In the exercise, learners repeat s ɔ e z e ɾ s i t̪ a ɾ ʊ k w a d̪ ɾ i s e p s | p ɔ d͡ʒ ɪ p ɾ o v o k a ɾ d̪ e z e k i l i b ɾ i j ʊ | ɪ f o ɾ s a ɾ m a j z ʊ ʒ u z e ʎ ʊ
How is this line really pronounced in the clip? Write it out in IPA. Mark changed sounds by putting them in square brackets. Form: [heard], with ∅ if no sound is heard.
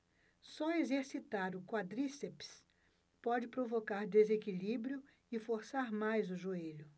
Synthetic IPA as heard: s ɔ e z e ɾ s i t̪ a ɾ ʊ k w a d̪ ɾ i s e p s | p ɔ d͡ʒ ɪ p ɾ o v o k a ɾ d̪ e z e k i l i b ɾ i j ʊ | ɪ f o ɾ s a ɾ m a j z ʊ ʒ u [∅] e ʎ ʊ